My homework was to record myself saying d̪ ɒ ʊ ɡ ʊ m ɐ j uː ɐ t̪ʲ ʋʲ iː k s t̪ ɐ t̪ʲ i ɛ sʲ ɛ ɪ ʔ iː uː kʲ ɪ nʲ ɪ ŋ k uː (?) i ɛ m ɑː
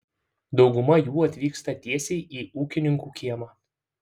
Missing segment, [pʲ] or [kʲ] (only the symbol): kʲ